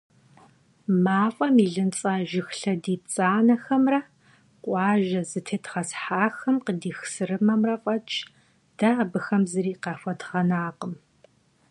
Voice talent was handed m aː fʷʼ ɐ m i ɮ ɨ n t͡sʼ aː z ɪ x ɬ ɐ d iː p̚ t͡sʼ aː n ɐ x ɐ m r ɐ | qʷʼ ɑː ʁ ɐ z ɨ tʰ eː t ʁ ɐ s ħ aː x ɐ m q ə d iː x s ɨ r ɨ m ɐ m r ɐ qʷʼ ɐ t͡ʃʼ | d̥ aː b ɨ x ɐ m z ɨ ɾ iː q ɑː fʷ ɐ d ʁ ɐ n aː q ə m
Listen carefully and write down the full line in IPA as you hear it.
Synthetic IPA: m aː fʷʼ ɐ m i ɮ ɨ n t͡sʼ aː ʒ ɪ x ɬ ɐ d iː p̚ t͡sʼ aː n ɐ x ɐ m r ɐ | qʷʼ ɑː ʒ ɐ z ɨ tʰ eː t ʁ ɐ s ħ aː x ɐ m q ə d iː x s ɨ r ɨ m ɐ m r ɐ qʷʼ ɐ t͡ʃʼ | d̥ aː b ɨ x ɐ m z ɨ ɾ iː q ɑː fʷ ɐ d ʁ ɐ n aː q ə m